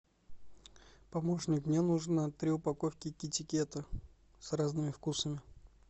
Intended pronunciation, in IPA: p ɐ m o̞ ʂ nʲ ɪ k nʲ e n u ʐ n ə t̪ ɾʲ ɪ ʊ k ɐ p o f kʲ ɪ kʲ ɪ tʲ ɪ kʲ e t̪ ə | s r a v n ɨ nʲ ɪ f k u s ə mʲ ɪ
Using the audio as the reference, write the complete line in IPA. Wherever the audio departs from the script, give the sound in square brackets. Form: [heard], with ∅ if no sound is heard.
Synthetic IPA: p ɐ m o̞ ʂ nʲ ɪ k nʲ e n u ʐ n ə t̪ ɾʲ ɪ ʊ [p] ɐ [k] o f kʲ ɪ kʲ ɪ tʲ ɪ kʲ e t̪ ə | s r a [z] n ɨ [mʲ] ɪ f k u s ə mʲ ɪ